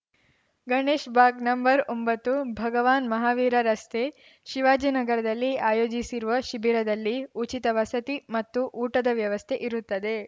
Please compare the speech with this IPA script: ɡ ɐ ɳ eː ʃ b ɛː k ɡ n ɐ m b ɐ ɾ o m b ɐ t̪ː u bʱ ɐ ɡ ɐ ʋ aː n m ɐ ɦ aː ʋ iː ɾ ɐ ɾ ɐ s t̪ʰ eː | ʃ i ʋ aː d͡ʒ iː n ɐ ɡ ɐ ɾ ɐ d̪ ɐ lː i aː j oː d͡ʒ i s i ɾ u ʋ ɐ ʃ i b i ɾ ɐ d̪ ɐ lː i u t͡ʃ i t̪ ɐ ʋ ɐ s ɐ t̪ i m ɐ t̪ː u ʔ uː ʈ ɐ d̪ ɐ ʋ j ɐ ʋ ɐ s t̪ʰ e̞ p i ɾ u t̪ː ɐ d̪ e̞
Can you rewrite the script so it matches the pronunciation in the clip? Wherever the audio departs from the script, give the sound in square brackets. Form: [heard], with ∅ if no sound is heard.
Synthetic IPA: ɡ ɐ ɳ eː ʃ b [aː] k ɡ n ɐ m b ɐ ɾ o m b ɐ t̪ː u bʱ ɐ ɡ ɐ ʋ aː n m ɐ ɦ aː ʋ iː ɾ ɐ ɾ ɐ s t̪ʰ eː | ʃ i ʋ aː d͡ʒ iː n ɐ ɡ ɐ ɾ ɐ d̪ ɐ lː i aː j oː d͡ʒ i s i ɾ u ʋ ɐ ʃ i b i ɾ ɐ d̪ ɐ lː i u t͡ʃ i t̪ ɐ ʋ ɐ s ɐ t̪ i m ɐ t̪ː u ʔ uː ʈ ɐ d̪ ɐ ʋ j ɐ ʋ ɐ s t̪ʰ e̞ [ʔ] i ɾ u t̪ː ɐ d̪ e̞